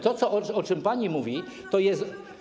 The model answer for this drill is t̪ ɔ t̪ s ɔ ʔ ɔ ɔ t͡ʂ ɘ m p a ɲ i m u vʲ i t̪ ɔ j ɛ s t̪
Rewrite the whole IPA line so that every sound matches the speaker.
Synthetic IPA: t̪ ɔ t̪ s ɔ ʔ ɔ ɔ t͡ʂ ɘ m p a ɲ i m u vʲ i t̪ ɔ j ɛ s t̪

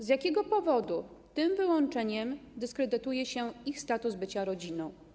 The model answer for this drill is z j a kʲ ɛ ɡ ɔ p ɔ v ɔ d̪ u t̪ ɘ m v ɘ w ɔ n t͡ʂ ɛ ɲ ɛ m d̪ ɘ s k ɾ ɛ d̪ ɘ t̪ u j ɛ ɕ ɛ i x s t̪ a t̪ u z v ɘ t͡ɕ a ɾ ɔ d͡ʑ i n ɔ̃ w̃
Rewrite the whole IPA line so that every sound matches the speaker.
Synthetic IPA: z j a kʲ ɛ ɡ ɔ p ɔ v ɔ d̪ u t̪ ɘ m v ɘ w ɔ n t͡ʂ ɛ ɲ ɛ m d̪ ɘ s k ɾ ɛ d̪ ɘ t̪ u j ɛ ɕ ɛ i x s t̪ a t̪ u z b ɘ t͡ɕ a ɾ ɔ d͡ʑ i n ɔ̃ w̃

